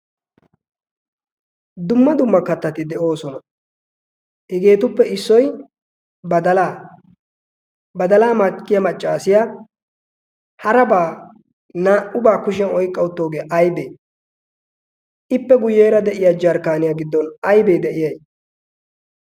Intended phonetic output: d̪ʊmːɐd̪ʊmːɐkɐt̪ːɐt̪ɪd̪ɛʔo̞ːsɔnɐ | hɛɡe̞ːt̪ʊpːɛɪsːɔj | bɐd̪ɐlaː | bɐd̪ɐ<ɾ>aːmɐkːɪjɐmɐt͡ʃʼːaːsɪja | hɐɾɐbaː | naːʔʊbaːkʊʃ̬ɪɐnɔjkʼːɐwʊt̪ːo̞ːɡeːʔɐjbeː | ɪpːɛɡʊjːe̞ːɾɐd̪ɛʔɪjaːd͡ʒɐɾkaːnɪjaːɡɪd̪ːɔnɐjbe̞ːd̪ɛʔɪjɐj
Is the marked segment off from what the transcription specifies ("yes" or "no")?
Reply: yes